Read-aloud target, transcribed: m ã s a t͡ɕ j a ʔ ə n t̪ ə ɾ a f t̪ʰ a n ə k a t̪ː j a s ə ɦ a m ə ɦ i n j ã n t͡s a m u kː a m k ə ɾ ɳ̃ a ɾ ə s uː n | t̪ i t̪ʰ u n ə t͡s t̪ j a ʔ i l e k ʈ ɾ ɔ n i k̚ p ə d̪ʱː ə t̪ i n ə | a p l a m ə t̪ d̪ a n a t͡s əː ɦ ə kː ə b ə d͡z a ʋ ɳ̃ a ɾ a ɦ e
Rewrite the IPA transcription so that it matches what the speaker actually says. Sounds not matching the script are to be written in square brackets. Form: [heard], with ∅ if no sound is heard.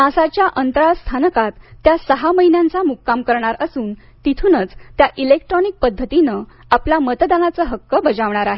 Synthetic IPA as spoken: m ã s a t͡ɕ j a ʔ ə n t̪ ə ɾ a [s] t̪ʰ a n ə k a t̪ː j a s ə ɦ a m ə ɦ i n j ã n t͡s a m u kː a m k ə ɾ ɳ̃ a ɾ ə s uː n | t̪ i t̪ʰ u n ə t͡s t̪ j a ʔ i l e k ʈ ɾ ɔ n i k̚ p ə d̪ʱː ə t̪ i n ə | a p l a m ə t̪ d̪ a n a t͡s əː ɦ ə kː ə b ə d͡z a ʋ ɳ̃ a ɾ a ɦ e

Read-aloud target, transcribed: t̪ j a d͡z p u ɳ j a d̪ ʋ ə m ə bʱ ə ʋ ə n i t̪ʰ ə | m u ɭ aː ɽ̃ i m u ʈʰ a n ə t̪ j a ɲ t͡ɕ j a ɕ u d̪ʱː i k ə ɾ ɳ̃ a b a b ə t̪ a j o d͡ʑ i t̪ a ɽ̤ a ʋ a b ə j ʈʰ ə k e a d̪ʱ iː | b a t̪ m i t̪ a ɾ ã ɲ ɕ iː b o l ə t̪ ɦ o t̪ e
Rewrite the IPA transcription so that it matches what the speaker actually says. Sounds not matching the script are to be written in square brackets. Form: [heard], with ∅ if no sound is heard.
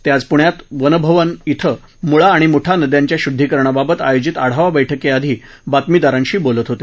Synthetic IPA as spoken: t̪ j a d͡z p u ɳ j a [t̪] ʋ ə [n] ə bʱ ə ʋ ə n i t̪ʰ ə | m u ɭ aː ɽ̃ i m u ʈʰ a n ə [d̪] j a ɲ t͡ɕ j a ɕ u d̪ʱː i k ə ɾ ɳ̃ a b a b ə t̪ a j o d͡ʑ i t̪ a ɽ̤ a ʋ a b ə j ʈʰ ə k e a d̪ʱ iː | b a t̪ m i [d̪] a ɾ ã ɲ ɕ iː b o l ə t̪ ɦ o t̪ e

